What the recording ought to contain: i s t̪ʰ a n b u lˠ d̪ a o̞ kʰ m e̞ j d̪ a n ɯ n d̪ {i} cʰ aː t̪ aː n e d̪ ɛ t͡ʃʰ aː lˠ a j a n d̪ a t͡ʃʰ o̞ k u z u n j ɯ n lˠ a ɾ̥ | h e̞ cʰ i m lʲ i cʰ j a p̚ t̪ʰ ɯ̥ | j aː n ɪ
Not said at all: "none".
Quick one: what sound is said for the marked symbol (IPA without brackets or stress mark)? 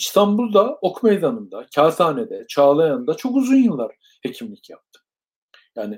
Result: a